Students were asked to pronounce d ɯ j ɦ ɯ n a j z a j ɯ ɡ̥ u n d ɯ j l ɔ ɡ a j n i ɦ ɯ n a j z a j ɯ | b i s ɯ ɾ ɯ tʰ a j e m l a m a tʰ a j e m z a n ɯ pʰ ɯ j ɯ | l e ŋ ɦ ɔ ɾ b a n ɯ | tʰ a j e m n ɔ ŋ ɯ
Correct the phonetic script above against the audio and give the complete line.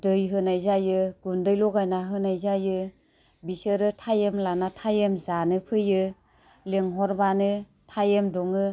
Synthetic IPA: d ɯ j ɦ ɯ n a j z a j ɯ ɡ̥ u n d ɯ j l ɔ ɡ a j n a ɦ ɯ n a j z a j ɯ | b i s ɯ ɾ ɯ tʰ a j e m l a n a tʰ a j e m z a n ɯ pʰ ɯ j ɯ | l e ŋ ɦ ɔ ɾ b a n ɯ | tʰ a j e m d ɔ ŋ ɯ